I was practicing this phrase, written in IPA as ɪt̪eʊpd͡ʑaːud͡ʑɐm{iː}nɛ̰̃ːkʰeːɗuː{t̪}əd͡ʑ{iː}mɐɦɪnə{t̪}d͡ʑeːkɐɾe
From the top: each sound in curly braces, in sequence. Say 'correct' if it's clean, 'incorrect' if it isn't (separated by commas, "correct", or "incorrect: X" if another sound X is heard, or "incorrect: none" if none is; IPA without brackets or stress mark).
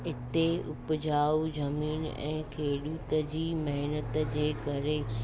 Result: correct, correct, correct, correct